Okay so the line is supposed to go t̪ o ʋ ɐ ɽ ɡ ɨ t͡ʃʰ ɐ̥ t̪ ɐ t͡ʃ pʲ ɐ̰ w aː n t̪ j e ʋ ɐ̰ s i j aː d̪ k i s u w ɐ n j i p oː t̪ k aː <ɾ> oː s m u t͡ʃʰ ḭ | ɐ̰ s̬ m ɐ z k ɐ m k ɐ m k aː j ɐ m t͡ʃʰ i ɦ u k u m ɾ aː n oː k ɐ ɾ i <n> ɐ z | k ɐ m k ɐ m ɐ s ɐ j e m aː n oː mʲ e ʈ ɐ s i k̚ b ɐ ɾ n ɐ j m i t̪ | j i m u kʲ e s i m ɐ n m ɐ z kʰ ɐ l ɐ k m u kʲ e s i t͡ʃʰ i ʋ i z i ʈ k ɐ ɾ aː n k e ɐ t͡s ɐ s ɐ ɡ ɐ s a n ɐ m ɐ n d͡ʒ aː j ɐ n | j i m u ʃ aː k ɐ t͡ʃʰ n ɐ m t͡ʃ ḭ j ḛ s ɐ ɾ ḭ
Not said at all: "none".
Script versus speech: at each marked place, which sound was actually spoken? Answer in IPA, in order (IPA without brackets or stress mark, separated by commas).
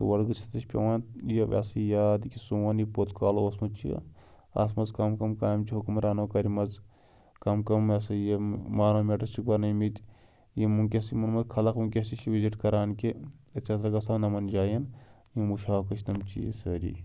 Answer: l, m